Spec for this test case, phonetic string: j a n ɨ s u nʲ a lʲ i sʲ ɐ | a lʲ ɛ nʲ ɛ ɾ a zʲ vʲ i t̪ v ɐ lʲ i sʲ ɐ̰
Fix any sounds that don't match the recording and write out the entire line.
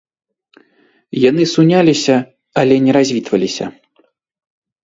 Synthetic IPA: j a n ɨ s u nʲ a lʲ i sʲ ɐ | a lʲ ɛ nʲ ɛ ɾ a zʲ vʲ i t̪ v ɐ lʲ i sʲ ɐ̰